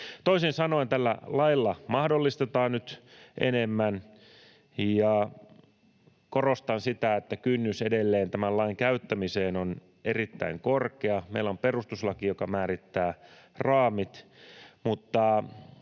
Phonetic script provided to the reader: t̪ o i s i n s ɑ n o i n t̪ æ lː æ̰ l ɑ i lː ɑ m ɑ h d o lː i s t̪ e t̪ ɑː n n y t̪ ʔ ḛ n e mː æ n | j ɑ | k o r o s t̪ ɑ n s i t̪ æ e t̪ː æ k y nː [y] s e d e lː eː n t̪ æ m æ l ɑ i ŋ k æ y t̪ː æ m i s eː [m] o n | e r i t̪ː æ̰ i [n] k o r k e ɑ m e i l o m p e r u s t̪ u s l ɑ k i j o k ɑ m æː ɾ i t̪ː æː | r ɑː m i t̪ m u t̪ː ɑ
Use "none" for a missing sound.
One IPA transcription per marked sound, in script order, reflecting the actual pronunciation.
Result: y, n, ŋ

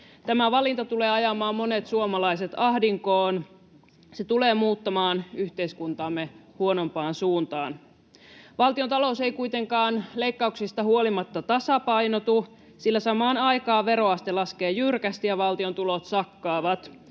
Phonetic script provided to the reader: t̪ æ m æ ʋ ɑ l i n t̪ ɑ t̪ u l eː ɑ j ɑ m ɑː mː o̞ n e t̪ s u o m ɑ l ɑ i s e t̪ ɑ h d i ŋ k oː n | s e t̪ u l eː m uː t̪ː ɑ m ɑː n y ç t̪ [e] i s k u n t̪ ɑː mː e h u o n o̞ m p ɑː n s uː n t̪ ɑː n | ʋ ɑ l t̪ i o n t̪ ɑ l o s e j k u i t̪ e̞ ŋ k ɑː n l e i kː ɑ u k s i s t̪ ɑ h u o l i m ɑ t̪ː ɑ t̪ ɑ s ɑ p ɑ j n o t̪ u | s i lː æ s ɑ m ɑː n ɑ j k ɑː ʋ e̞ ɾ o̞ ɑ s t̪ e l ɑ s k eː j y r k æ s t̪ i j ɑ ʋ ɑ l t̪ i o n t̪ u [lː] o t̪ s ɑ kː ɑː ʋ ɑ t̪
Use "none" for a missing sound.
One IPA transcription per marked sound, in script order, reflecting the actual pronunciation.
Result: e, l

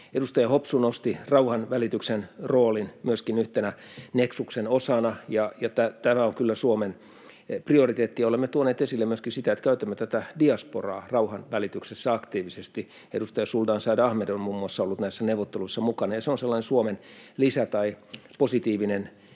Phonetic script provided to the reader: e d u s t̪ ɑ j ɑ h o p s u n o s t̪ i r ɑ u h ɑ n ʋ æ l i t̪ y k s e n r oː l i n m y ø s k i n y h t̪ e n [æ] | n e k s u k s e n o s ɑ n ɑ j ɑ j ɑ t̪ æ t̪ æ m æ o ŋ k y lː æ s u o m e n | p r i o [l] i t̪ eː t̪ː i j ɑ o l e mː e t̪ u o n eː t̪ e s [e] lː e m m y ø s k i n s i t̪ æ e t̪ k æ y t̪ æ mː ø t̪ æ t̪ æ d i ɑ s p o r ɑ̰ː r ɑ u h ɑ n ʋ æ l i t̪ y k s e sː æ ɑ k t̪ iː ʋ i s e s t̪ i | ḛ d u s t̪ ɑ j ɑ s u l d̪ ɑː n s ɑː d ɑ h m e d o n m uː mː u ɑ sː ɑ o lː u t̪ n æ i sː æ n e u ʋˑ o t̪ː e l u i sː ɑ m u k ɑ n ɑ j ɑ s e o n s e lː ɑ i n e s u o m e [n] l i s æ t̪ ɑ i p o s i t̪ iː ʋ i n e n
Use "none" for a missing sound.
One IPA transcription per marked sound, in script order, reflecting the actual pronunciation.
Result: æ, r, i, n

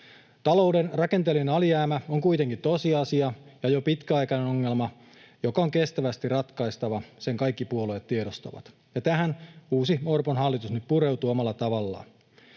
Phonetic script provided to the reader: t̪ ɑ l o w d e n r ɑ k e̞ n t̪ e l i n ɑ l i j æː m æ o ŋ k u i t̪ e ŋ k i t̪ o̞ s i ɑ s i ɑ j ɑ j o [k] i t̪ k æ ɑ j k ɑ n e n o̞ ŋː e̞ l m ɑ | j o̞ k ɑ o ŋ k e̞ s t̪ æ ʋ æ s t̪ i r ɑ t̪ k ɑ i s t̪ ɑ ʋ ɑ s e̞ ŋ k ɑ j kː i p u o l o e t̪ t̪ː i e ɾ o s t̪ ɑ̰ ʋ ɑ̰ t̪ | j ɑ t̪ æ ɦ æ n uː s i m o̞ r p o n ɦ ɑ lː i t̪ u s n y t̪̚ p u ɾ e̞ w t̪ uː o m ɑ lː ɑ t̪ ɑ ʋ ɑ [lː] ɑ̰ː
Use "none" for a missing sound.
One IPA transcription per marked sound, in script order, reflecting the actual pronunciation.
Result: p, lː

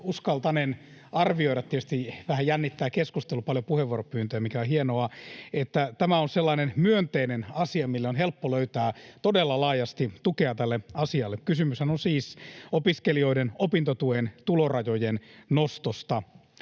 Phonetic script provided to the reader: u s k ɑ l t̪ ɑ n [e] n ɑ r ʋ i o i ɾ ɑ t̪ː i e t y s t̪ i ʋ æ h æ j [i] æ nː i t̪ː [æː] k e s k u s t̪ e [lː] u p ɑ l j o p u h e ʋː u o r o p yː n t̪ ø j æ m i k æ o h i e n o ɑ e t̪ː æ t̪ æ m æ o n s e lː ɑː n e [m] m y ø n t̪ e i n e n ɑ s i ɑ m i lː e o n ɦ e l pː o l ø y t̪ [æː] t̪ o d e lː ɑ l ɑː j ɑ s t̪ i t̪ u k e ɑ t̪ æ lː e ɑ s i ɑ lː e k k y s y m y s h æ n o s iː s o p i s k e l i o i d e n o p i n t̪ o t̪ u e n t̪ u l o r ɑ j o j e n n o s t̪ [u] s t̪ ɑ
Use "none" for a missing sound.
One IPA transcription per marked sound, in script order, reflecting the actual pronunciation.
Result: e, j, æː, l, n, æː, o

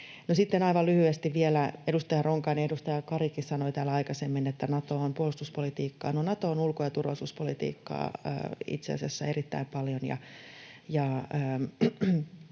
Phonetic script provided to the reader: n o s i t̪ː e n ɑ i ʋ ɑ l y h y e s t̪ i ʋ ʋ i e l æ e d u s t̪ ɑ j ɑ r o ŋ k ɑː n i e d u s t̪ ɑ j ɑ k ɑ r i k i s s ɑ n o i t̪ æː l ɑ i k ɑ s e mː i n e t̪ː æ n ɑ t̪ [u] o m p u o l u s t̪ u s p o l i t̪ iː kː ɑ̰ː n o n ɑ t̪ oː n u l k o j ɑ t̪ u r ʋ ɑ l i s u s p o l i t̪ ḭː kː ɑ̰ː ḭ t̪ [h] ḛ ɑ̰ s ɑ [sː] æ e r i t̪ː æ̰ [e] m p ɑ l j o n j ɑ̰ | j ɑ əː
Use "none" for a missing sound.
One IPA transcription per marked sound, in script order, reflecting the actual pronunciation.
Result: o, s, sː, i

